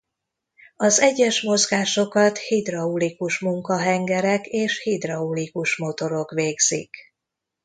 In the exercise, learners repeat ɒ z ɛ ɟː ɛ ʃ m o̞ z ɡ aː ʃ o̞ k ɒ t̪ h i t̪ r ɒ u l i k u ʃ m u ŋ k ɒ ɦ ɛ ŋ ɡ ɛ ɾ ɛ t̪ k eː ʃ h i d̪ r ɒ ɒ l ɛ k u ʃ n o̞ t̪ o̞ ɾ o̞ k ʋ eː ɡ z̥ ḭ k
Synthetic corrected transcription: ɒ z ɛ ɟː ɛ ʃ m o̞ z ɡ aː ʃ o̞ k ɒ t̪ h i d̪ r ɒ u l i k u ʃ m u ŋ k ɒ ɦ ɛ ŋ ɡ ɛ ɾ ɛ k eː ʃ h i d̪ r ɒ u l i k u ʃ m o̞ t̪ o̞ ɾ o̞ k ʋ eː ɡ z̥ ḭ k